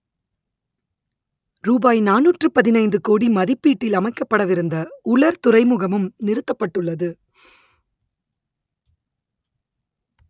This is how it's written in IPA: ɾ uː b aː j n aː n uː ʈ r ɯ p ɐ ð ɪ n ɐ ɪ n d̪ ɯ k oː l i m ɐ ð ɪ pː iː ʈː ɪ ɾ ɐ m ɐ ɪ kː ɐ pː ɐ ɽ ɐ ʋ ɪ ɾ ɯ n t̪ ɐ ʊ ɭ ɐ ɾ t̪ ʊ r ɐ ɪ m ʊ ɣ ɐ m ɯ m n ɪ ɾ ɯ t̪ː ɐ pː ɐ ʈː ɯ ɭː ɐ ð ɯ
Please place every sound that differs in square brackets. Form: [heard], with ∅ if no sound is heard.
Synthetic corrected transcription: ɾ uː b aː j n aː n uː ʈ r ɯ p ɐ ð ɪ n ɐ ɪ n d̪ ɯ k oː [ɽ] i m ɐ ð ɪ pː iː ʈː ɪ [l] ɐ m ɐ ɪ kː ɐ pː ɐ ɽ ɐ ʋ ɪ ɾ ɯ n [d̪] ɐ ʊ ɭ ɐ ɾ t̪ ʊ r ɐ ɪ m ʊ ɣ ɐ m ɯ m n ɪ ɾ ɯ t̪ː ɐ pː ɐ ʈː ɯ ɭː ɐ ð ɯ